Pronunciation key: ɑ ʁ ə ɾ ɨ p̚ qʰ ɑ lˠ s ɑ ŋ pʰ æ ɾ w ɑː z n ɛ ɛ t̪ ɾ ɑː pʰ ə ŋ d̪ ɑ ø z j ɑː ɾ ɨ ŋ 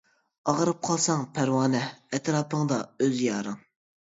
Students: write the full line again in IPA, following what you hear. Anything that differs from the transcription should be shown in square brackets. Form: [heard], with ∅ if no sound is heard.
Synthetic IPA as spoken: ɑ ʁ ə ɾ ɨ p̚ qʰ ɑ lˠ s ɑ ŋ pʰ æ ɾ w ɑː [∅] n ɛ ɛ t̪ ɾ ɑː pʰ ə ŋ d̪ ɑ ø z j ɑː ɾ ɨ ŋ